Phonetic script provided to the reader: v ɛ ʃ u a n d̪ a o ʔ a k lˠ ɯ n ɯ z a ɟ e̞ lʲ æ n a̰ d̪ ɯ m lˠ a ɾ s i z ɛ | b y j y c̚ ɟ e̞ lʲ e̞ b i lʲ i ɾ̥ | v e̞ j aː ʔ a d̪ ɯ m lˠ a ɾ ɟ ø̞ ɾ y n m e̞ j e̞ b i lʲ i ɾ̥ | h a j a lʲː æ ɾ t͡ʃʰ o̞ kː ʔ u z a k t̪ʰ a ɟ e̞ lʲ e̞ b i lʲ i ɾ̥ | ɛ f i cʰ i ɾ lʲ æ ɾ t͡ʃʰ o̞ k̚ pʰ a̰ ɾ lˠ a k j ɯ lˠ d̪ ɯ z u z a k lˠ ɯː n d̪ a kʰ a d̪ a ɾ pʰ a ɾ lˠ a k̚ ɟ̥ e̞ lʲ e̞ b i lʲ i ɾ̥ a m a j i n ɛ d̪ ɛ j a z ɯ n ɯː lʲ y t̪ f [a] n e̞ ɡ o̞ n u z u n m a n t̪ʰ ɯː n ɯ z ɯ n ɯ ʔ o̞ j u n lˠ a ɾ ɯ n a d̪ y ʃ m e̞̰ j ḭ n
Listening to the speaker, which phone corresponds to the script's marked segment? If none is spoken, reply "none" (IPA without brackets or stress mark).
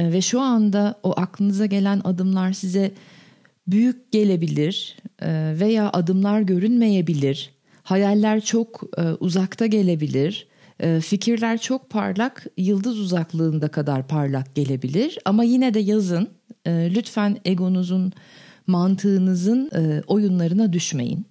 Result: æ